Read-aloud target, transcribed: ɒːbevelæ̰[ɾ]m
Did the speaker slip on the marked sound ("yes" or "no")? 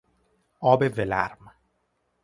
no